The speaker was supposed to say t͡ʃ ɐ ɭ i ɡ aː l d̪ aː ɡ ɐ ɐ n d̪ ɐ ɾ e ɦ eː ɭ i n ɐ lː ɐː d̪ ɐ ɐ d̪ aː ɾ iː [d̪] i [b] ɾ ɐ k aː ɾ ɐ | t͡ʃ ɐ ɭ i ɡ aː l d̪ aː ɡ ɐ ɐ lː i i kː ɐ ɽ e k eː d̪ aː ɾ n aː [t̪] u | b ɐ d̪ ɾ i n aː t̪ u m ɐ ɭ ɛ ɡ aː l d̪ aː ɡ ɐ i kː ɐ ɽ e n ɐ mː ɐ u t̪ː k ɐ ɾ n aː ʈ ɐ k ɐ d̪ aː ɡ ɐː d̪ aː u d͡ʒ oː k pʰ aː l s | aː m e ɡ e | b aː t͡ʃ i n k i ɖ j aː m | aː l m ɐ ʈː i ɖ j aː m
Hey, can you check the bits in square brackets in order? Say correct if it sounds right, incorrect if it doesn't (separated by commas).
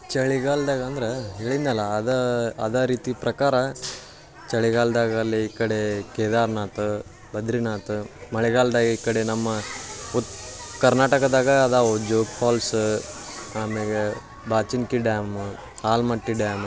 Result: incorrect, incorrect, correct